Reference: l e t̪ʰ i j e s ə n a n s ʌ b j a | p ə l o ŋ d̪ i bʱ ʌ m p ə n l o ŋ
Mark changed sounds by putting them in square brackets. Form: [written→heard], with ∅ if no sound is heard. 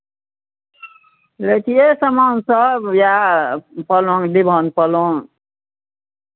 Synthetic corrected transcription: l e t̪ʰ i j e s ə [n→m] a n s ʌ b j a | p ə l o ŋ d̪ i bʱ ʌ [m→n] p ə [n→∅] l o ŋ

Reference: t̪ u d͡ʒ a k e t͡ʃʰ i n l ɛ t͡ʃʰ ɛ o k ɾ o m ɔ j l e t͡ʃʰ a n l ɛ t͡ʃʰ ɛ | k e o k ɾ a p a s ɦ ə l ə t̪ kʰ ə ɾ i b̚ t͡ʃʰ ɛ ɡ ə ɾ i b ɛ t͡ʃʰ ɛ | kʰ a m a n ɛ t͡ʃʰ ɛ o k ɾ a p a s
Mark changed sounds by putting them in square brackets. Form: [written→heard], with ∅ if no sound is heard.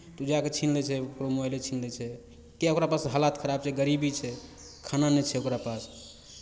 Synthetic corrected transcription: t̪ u d͡ʒ a k e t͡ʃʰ i n l ɛ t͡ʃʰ ɛ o k ɾ o m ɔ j l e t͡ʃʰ [a→i] n l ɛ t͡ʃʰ ɛ | k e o k ɾ a p a s ɦ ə l [ə→a] t̪ kʰ ə ɾ [i→a] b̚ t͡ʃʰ ɛ ɡ ə ɾ i b [ɛ→i] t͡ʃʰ ɛ | kʰ a [m→n] a n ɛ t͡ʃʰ ɛ o k ɾ a p a s

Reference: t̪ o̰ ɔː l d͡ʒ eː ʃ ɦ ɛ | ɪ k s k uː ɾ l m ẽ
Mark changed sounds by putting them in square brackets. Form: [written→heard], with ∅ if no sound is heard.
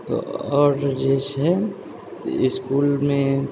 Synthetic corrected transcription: t̪ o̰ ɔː [l→ɾ] d͡ʒ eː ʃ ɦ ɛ | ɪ [k→∅] s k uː [ɾ→∅] l m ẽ

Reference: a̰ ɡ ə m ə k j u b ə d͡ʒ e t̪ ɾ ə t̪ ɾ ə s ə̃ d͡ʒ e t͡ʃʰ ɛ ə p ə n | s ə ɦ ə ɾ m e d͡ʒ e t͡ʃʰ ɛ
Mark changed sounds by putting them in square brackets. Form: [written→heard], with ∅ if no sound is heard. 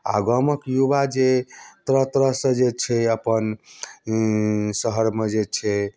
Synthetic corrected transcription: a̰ ɡ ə m ə k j u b [ə→a] d͡ʒ e t̪ ɾ ə t̪ ɾ ə s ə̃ d͡ʒ e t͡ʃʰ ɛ ə p ə n | s ə ɦ ə ɾ m e d͡ʒ e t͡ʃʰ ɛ

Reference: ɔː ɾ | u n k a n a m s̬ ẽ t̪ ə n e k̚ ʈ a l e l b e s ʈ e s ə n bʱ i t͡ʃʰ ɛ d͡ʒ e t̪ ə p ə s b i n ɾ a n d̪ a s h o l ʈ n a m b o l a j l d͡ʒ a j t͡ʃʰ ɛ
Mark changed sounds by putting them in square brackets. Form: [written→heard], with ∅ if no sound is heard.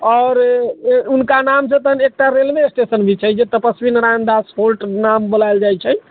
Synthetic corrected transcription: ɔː ɾ | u n k a n a m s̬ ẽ t̪ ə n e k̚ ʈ a [l→ɾ] e l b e s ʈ e s ə n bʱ i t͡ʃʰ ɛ d͡ʒ e t̪ ə p ə s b i n ɾ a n d̪ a s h o l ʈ n a m b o l a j l d͡ʒ a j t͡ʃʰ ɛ

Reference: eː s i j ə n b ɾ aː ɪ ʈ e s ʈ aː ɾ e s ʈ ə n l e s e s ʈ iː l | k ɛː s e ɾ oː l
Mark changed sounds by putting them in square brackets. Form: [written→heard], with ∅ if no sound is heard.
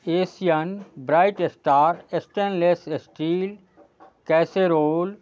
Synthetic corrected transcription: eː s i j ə n b ɾ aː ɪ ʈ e s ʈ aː ɾ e s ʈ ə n l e s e s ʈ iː l | k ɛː s e ɾ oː l

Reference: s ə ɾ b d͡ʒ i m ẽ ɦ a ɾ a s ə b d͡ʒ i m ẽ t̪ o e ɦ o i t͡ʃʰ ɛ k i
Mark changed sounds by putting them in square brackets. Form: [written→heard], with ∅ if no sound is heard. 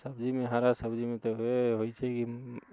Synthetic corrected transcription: s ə [ɾ→∅] b d͡ʒ i m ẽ ɦ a ɾ a s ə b d͡ʒ i m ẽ t̪ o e ɦ o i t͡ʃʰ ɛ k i

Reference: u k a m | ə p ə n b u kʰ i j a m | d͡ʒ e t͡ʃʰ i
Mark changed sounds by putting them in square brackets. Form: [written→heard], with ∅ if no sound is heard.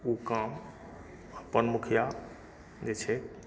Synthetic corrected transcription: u k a m | ə p ə n [b→m] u kʰ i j a [m→∅] | d͡ʒ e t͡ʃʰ [i→ɛ]

